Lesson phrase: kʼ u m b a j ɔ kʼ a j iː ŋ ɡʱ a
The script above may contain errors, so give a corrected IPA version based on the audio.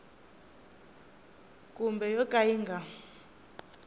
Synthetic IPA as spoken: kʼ u m b ɛ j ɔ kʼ a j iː ŋ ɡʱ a